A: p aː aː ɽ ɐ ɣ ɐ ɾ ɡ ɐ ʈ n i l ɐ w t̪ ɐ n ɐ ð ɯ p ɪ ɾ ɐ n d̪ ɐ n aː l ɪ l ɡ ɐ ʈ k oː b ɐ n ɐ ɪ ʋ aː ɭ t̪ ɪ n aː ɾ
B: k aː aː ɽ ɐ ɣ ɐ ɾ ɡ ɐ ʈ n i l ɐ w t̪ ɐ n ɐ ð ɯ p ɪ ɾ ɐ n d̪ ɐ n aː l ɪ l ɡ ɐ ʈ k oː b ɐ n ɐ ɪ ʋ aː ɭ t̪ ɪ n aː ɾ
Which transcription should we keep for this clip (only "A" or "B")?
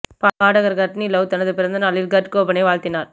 A